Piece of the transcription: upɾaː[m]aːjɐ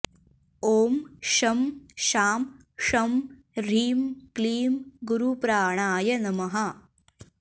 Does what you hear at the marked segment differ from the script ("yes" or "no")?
yes